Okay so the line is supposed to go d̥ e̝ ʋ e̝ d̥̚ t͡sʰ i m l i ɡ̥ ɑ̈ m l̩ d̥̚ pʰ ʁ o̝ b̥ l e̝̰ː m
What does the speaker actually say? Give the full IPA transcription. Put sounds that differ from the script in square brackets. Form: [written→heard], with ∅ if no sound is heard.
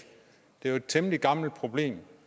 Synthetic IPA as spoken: d̥ e̝ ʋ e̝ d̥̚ t͡sʰ [i→e] m l i ɡ̥ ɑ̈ m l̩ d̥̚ pʰ ʁ o̝ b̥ l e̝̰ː m